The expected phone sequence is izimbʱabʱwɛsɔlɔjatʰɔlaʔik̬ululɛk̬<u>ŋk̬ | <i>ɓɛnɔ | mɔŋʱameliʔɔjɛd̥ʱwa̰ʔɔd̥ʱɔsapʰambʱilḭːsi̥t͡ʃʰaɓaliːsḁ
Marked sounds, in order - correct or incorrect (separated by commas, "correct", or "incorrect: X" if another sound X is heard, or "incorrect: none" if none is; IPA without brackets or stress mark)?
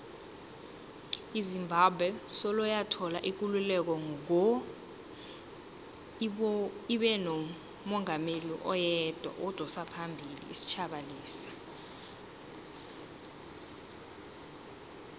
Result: incorrect: ɔ, correct